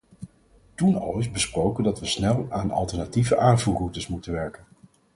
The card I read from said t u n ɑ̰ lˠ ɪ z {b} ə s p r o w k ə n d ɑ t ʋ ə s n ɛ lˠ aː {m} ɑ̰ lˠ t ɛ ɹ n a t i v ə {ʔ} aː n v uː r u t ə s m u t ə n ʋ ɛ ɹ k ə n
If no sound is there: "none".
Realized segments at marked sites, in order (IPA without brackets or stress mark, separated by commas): b, n, ʔ